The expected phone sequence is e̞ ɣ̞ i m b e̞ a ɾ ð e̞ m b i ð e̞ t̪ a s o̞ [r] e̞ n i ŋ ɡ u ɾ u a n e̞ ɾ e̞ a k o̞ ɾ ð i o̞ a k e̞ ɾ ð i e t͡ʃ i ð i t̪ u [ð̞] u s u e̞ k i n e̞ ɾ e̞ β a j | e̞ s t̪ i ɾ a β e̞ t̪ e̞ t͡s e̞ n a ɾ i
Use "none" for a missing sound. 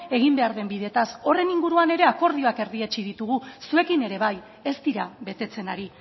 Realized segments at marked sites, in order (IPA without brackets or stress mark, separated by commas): r, ɣ̞